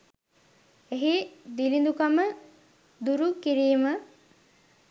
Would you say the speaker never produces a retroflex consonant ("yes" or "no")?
yes